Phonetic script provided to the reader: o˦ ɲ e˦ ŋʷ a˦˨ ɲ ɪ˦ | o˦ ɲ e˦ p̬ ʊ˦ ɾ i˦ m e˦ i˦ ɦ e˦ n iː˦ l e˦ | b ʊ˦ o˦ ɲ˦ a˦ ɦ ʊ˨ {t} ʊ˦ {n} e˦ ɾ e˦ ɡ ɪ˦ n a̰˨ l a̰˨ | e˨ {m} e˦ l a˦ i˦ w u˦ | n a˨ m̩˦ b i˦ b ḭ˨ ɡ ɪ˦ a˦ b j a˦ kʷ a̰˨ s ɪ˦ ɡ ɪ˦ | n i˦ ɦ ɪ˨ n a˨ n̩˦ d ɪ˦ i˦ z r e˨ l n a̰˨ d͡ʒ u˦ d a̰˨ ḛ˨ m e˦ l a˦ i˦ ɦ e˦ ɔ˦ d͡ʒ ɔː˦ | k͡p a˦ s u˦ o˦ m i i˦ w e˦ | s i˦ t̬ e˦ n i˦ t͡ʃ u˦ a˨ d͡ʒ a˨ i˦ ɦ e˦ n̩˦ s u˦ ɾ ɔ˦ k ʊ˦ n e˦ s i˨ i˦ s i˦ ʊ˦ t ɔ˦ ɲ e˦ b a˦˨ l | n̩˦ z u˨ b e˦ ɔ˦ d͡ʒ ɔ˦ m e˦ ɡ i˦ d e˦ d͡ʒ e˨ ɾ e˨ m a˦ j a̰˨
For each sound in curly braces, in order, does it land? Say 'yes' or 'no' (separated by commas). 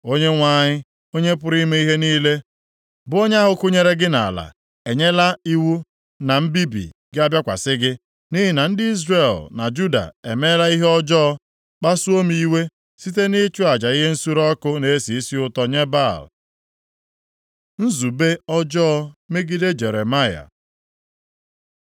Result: no, no, no